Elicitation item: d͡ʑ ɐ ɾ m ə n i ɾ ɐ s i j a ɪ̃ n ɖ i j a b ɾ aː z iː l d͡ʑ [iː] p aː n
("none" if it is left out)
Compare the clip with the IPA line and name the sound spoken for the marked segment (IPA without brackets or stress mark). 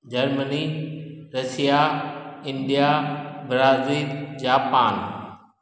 aː